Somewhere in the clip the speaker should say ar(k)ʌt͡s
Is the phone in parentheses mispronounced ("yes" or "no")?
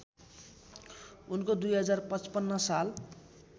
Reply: yes